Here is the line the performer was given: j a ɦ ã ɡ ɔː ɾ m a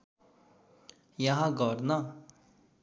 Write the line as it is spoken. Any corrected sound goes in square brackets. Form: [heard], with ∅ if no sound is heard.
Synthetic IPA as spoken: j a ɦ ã ɡ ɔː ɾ [n] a